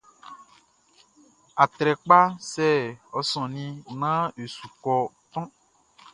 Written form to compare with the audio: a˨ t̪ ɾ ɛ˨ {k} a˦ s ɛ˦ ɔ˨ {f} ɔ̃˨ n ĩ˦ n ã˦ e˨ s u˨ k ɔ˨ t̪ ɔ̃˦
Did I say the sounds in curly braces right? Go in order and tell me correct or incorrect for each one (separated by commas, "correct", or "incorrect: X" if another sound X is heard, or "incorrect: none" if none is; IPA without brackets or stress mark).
incorrect: k͡p, incorrect: s